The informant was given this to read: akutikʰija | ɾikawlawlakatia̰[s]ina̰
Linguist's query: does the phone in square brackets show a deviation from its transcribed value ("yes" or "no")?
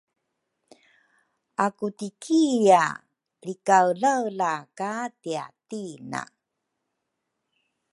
yes